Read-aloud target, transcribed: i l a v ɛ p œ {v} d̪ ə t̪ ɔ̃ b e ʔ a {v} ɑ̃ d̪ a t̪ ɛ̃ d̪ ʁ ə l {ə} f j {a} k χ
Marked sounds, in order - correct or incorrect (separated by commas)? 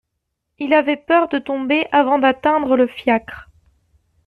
incorrect, correct, correct, correct